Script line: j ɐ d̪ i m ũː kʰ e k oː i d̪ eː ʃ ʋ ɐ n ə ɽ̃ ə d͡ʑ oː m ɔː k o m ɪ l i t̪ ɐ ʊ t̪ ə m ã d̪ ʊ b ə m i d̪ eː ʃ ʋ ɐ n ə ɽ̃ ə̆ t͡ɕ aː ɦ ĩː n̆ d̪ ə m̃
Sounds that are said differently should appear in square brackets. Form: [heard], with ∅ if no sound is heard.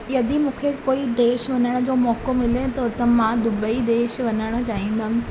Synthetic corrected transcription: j ɐ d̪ i m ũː kʰ e k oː i d̪ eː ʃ ʋ ɐ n ə ɽ̃ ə d͡ʑ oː m ɔː k o m ɪ l [e] t̪ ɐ ʊ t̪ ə m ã d̪ ʊ b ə [∅] i d̪ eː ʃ ʋ ɐ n ə ɽ̃ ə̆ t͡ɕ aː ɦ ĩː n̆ d̪ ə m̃